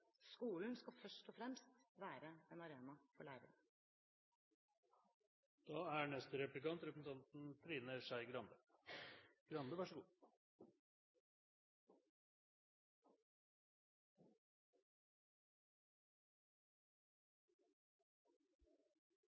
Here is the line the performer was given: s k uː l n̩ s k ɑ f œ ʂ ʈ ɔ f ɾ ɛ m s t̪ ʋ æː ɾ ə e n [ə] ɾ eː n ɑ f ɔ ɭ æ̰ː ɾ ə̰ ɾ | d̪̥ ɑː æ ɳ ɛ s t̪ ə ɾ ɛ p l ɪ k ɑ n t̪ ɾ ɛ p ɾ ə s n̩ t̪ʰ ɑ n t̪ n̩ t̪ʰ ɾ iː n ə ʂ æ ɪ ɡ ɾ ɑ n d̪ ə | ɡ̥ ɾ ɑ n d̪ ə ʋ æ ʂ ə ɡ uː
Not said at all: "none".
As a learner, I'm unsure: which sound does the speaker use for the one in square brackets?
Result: ɑ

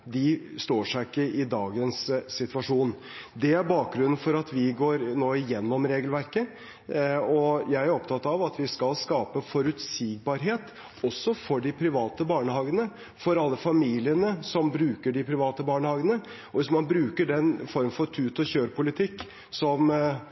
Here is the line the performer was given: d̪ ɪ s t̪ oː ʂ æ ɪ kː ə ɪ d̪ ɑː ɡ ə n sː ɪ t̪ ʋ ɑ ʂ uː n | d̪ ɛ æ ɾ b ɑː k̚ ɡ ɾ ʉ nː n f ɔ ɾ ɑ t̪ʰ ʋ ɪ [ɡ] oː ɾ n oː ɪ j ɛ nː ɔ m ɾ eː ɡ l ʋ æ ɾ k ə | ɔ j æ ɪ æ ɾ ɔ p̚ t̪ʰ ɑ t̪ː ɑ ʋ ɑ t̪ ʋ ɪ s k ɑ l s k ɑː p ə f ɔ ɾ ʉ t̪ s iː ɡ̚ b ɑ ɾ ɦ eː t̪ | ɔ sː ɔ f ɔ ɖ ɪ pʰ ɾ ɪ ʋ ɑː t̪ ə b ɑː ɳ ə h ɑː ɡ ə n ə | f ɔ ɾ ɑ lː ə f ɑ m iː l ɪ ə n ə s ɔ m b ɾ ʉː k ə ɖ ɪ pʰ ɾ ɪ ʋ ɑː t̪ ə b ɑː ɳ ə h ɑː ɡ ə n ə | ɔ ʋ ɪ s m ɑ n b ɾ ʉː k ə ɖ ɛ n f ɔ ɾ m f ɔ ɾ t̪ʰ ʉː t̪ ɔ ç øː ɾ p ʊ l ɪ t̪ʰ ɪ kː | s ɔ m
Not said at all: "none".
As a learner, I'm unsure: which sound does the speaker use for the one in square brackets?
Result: ɡ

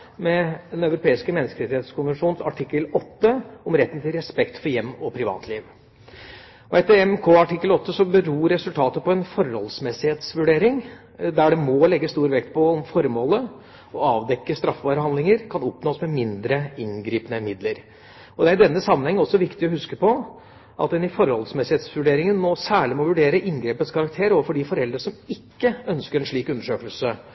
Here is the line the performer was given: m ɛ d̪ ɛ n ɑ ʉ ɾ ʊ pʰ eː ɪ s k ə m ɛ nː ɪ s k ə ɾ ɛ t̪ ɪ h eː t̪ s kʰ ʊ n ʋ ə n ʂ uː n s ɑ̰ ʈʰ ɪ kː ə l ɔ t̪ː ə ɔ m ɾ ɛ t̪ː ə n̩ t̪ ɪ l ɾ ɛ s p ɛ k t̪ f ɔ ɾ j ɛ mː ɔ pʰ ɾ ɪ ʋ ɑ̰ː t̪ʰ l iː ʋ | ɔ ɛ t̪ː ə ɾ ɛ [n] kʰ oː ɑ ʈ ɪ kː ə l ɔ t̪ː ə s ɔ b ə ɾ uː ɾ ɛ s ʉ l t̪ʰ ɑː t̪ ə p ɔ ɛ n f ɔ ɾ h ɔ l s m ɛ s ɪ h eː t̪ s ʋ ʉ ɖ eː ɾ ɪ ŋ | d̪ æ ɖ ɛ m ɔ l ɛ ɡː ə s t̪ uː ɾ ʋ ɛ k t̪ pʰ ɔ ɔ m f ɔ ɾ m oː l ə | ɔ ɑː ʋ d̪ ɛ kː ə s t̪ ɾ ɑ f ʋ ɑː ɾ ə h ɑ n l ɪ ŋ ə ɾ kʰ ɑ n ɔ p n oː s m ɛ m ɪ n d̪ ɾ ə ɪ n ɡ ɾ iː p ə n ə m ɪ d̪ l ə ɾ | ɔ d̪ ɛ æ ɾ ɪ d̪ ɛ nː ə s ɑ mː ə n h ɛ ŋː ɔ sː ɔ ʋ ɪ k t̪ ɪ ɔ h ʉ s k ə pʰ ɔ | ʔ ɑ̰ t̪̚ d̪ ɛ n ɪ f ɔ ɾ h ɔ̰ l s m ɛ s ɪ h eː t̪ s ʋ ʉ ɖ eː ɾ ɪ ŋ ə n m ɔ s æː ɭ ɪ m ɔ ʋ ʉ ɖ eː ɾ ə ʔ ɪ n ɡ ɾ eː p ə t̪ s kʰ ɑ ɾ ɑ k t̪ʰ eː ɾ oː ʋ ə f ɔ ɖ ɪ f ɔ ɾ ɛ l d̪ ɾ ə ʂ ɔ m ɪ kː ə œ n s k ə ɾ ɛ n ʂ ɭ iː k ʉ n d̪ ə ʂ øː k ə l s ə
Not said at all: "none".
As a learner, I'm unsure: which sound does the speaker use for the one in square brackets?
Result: m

